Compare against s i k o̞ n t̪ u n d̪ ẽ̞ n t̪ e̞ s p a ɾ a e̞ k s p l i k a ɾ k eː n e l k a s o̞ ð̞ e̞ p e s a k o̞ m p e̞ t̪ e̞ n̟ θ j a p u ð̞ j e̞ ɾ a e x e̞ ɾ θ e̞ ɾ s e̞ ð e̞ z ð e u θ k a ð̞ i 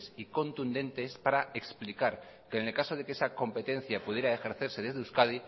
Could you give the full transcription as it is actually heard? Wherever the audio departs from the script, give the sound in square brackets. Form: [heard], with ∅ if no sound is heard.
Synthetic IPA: s i k o̞ n t̪ u n d̪ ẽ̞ n t̪ e̞ s p a ɾ a e̞ k s p l i k a ɾ k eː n e l k a s o̞ ð̞ e̞ [k] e s a k o̞ m p e̞ t̪ e̞ n̟ θ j a p u ð̞ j e̞ ɾ a e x e̞ ɾ θ e̞ ɾ s e̞ ð e̞ z ð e u [s] k a ð̞ i